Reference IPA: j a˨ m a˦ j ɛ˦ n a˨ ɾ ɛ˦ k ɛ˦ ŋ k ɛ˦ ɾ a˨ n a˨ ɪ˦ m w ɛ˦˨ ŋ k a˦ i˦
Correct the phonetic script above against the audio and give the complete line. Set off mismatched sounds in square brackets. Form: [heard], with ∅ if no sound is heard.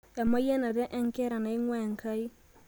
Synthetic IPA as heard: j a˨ m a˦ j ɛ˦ n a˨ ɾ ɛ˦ [ʔ] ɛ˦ ŋ k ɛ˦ ɾ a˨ n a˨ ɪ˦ [ŋ] w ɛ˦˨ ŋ k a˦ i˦